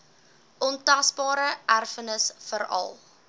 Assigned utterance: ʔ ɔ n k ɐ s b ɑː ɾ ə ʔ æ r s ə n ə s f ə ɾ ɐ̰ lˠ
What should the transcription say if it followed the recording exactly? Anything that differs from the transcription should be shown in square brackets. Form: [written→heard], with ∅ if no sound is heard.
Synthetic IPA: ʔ ɔ n [k→t] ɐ s b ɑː ɾ ə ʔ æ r [s→f] ə n ə s f ə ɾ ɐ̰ lˠ